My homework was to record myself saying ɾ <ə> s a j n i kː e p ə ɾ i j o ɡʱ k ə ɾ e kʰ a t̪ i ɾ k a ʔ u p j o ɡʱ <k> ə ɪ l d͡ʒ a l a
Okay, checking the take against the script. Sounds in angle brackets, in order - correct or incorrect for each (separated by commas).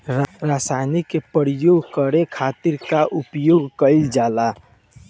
incorrect, correct